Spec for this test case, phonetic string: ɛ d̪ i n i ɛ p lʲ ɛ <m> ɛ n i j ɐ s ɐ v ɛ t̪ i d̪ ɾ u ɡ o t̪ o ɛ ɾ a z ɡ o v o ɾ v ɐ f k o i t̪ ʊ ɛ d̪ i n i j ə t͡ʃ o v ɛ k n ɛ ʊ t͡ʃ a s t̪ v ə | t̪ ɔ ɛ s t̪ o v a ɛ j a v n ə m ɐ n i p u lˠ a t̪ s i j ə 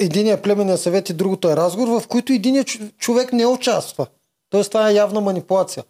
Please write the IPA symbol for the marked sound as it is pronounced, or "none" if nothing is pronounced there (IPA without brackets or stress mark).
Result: m